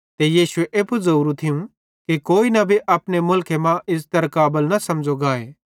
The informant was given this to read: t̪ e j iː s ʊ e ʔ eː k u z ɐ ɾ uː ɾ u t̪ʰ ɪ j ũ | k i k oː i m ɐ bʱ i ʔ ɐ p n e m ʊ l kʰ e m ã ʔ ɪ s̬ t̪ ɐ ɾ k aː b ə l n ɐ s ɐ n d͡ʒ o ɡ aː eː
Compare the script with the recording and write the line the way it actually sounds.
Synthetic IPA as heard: t̪ e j iː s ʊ e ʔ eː p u z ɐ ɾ uː ɾ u t̪ʰ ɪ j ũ | k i k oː i n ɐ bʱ i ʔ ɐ p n e m ʊ l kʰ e m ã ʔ ɪ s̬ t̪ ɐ ɾ k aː b ə l n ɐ s ɐ m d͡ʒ o ɡ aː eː